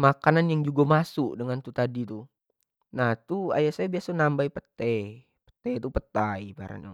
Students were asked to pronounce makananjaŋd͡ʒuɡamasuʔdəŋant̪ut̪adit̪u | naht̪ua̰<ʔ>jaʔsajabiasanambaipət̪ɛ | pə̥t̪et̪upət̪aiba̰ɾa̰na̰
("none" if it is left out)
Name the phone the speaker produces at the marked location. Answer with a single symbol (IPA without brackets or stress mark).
none